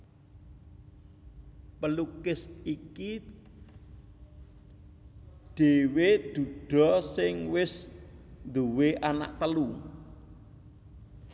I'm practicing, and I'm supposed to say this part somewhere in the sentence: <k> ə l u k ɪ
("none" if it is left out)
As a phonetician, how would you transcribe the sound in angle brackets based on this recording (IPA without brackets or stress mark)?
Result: p